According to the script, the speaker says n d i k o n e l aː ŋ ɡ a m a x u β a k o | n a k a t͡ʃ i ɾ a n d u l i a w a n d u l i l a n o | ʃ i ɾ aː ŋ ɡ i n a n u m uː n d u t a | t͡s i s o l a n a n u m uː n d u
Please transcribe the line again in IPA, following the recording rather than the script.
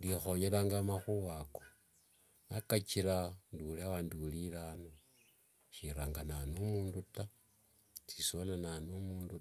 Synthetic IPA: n d i x o ɲ e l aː ŋ ɡ a m a x u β a k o | n a k a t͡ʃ i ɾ a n d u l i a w a n d u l i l a n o | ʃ i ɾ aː ŋ ɡ a n a n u m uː n d u t a | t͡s i s o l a n a n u m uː n d u